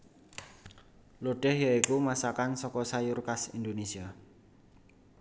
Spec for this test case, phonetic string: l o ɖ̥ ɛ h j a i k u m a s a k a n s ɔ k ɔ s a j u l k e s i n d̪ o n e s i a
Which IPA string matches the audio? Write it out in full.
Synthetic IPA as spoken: l o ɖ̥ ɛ h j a i k u m a s a k a n s ɔ k ɔ s a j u r k a s i n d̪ o n e s i a